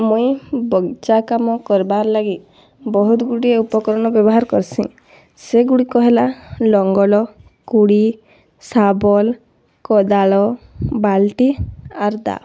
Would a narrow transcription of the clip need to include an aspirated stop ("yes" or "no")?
no